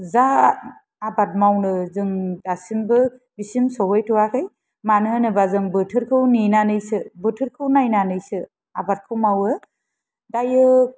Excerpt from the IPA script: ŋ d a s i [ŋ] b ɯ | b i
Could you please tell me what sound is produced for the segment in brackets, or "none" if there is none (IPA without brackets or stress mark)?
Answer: m